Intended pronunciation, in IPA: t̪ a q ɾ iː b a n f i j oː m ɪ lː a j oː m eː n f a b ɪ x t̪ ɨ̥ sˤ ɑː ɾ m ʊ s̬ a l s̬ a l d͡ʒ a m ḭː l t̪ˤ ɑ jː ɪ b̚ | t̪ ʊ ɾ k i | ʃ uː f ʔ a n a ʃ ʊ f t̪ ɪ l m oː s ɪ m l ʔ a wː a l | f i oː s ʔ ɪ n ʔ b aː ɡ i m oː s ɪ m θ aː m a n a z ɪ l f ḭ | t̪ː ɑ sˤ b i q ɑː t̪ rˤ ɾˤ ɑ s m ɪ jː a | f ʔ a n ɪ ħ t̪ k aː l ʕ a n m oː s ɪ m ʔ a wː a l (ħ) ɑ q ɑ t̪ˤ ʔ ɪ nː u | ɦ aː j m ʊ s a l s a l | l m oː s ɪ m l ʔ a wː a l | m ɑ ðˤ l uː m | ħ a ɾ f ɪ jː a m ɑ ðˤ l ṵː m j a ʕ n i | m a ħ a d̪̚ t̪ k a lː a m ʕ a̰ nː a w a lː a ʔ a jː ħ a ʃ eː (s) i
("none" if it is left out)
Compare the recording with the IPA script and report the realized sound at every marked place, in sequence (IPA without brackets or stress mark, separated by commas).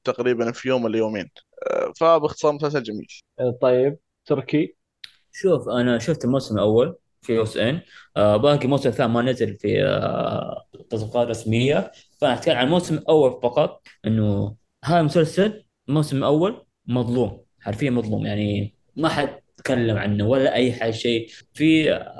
f, f